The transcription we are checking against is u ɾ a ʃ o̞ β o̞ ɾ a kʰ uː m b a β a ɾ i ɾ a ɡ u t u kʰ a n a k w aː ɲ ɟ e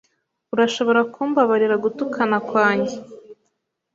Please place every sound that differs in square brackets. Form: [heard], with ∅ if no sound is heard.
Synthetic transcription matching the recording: u ɾ a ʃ o̞ β o̞ ɾ a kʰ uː m b a β a ɾ i ɾ a ɡ u t u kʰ a n a k w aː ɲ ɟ e